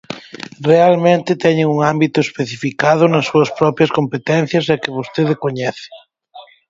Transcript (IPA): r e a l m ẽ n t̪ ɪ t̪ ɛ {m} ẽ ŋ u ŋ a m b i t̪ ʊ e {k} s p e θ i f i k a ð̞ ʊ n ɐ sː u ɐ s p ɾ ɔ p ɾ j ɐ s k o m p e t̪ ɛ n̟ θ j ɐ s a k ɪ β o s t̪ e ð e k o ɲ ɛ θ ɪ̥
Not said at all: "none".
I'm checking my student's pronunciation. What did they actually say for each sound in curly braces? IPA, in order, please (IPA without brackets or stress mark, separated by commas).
ɲ, none